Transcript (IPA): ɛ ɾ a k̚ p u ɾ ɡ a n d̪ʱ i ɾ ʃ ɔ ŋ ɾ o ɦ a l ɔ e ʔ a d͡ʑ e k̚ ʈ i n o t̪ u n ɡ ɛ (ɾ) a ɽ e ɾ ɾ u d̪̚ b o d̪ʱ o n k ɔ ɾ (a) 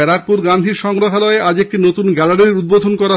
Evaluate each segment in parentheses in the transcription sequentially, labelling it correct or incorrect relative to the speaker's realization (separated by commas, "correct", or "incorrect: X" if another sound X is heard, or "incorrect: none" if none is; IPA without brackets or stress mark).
incorrect: l, correct